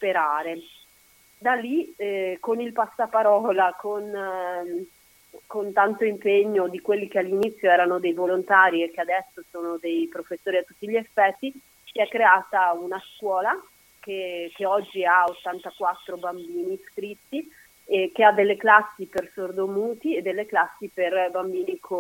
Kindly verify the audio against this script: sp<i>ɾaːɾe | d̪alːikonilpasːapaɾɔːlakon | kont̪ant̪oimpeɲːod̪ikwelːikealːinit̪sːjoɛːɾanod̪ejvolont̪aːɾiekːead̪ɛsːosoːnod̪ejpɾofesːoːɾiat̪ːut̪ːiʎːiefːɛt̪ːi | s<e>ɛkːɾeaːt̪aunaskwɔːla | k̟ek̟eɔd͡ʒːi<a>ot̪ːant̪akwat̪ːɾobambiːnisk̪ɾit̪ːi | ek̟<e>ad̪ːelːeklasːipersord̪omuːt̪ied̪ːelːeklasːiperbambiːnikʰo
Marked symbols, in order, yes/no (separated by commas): no, no, yes, yes